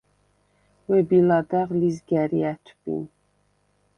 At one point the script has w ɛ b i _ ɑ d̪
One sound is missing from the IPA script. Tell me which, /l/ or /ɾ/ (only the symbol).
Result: l